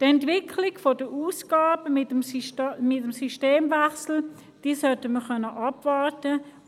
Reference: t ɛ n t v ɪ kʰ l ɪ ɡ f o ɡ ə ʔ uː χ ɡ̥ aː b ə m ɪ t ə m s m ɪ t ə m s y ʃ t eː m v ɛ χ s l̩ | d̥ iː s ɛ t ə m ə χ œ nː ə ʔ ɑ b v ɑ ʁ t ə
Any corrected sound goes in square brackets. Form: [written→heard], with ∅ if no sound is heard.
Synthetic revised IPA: t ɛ n t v ɪ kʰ l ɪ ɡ f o [ɡ→d] ə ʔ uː [χ→s] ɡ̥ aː b ə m ɪ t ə m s m ɪ t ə m s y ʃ t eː m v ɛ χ s l̩ | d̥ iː s [ɛ→œ] t ə m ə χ œ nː ə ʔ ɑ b v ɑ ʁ t ə